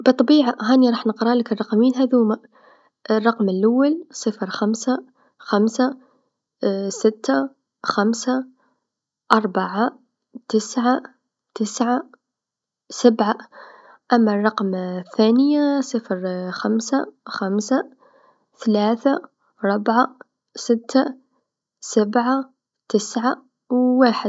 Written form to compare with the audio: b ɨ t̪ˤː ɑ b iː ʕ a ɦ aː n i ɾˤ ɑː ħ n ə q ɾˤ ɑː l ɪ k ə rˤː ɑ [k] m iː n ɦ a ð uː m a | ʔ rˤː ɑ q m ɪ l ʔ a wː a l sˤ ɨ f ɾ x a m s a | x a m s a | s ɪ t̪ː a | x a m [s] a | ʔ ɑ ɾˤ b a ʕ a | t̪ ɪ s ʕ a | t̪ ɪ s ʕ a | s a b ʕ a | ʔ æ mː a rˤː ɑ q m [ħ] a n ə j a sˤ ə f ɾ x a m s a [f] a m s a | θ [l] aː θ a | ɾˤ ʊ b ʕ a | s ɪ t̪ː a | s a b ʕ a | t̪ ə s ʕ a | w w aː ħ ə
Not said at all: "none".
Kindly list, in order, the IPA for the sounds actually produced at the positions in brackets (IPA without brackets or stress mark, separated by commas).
q, s, θ, x, l